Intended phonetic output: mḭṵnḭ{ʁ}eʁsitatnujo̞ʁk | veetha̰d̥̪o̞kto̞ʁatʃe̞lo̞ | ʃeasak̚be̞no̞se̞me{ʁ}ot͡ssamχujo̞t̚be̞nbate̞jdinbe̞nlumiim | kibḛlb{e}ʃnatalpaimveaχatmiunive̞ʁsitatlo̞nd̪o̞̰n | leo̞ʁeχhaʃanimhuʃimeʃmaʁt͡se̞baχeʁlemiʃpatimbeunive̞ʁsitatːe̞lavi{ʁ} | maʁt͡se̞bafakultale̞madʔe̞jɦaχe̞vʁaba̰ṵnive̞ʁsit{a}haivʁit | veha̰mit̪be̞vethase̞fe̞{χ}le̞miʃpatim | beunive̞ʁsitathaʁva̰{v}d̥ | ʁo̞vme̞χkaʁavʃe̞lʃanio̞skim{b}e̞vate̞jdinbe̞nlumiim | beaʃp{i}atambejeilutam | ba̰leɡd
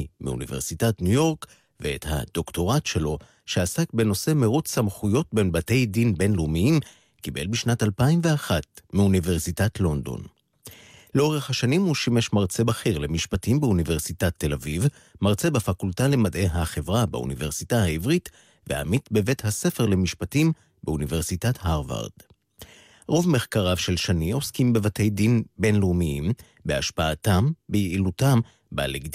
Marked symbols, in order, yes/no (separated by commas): no, yes, no, no, yes, no, no, yes, no